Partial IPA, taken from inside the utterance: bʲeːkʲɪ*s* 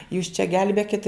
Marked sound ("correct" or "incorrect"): incorrect